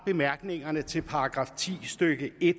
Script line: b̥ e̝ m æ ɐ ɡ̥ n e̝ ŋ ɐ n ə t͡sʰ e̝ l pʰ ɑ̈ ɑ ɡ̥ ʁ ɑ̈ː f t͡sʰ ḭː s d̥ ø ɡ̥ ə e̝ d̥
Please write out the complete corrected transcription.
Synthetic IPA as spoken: b̥ e̝ m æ ɐ ɡ̥ n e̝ ŋ ɐ n ə t͡sʰ e̝ l pʰ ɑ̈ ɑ ɡ̥ ʁ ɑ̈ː f t͡sʰ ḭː s d̥ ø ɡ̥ ə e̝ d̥